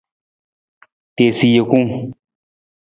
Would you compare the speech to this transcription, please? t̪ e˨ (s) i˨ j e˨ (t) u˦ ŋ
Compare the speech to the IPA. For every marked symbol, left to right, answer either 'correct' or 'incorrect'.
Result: correct, incorrect: k

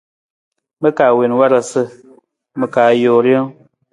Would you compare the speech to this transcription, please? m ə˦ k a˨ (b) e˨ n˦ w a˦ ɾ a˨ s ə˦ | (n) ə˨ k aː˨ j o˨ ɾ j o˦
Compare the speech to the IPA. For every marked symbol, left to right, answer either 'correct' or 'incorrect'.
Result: incorrect: w, incorrect: m

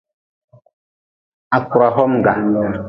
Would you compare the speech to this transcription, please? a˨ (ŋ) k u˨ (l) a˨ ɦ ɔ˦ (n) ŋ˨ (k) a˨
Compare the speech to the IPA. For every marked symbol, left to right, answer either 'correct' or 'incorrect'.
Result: incorrect: none, incorrect: ɾ, incorrect: m, incorrect: ɡ

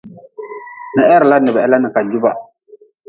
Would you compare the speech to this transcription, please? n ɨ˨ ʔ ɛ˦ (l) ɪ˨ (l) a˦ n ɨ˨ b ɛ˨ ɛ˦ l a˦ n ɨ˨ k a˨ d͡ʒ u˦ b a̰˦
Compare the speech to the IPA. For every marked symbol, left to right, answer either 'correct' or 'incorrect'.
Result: incorrect: ɾ, correct

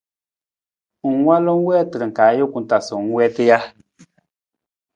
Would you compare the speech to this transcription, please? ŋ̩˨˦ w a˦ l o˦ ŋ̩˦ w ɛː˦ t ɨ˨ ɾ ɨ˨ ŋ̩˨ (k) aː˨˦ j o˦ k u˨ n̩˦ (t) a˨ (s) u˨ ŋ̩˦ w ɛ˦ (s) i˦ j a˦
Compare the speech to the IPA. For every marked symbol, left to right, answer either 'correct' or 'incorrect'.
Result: correct, correct, correct, incorrect: t

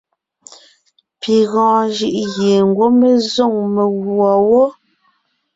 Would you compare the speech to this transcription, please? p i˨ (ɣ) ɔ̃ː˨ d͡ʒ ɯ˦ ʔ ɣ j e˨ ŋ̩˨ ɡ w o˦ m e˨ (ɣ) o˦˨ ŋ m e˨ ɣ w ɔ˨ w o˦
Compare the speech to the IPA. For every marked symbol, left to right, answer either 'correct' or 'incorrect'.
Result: correct, incorrect: z

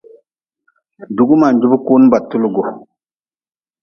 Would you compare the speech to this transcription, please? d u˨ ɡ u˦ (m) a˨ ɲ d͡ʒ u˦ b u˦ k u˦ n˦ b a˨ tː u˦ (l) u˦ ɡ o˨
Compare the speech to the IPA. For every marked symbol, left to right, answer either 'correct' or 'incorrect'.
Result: correct, correct

